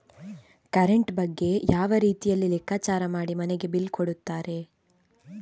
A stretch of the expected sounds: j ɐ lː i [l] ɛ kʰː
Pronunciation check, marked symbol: correct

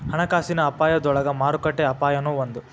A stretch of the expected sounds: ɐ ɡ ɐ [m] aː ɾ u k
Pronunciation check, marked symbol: correct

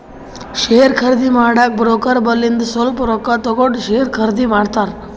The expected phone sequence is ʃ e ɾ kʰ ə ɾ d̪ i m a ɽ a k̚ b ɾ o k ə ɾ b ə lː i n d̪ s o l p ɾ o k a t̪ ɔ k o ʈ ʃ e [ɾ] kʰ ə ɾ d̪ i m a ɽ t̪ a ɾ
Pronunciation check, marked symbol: correct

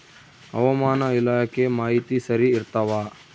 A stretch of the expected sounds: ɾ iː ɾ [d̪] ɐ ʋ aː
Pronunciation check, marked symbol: incorrect: t̪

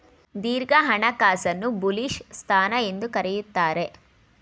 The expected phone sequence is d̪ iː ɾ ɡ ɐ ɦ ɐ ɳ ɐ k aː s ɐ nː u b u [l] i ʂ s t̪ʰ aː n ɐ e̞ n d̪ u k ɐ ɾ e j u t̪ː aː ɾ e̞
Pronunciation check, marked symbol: correct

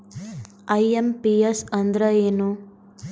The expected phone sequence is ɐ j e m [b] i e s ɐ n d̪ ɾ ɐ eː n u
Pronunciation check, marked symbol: incorrect: p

